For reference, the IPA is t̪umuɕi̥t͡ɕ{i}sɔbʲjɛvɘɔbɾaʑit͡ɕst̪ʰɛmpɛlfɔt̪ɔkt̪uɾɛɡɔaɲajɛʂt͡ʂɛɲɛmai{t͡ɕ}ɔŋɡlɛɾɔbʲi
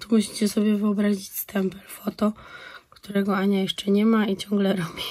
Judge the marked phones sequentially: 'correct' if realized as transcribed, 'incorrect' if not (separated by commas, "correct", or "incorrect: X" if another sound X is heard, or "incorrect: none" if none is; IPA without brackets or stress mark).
incorrect: ɛ, correct